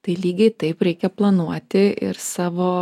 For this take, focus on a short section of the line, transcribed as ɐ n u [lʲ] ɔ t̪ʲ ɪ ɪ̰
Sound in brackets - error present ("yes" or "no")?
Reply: yes